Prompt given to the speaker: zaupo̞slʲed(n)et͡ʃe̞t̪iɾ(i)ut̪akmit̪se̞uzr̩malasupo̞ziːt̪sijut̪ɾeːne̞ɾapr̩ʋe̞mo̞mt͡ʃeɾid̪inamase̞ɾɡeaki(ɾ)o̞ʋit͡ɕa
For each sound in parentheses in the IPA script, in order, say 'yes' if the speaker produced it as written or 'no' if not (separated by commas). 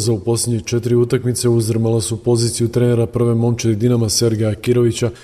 no, yes, yes